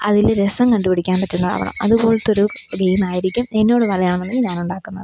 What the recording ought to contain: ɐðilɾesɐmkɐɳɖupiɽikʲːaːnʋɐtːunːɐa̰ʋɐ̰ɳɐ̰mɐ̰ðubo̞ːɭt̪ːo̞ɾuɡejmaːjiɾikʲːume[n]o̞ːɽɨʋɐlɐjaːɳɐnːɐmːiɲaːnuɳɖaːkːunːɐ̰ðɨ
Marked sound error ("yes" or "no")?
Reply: yes